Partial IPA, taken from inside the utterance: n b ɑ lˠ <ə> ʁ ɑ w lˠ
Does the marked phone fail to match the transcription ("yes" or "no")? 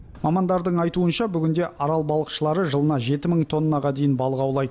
no